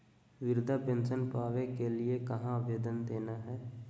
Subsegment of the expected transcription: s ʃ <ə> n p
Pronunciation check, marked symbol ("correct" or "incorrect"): correct